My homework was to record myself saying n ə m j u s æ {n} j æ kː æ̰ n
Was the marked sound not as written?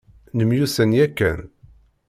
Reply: no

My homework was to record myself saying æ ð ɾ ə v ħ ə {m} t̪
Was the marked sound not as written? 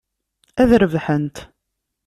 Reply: yes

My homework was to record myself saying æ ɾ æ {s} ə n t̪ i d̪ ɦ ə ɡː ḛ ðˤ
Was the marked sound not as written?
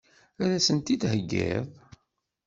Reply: no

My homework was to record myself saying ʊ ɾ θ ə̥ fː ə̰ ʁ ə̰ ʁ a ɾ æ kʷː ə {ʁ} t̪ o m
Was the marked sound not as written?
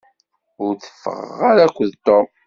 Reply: yes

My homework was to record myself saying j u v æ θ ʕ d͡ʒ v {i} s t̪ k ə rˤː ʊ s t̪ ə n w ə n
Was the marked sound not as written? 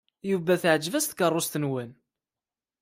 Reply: yes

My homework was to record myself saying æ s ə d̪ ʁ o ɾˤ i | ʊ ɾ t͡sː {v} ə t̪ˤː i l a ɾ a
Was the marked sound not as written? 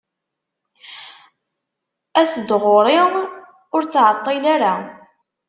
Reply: yes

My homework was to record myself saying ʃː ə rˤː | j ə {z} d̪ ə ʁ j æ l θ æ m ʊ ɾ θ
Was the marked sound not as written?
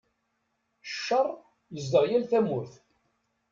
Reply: no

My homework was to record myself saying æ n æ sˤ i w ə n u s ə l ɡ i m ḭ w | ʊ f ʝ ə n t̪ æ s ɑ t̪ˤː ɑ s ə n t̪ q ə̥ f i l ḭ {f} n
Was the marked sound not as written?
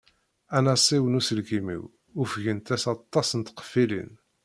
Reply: yes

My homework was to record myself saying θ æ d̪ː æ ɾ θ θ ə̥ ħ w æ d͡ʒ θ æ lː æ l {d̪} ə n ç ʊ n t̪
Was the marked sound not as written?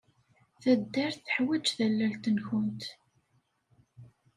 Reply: yes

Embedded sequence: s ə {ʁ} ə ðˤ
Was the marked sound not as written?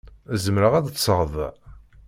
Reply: no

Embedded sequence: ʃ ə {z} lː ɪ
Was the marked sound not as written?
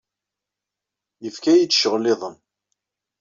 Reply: yes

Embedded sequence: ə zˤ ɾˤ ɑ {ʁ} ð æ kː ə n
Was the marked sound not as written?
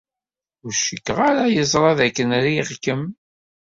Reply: yes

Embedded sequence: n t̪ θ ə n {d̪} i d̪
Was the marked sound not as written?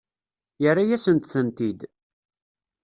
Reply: yes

